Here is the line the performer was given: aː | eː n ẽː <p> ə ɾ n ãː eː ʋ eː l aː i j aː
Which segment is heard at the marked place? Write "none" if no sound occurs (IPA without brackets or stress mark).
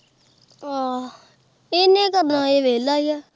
k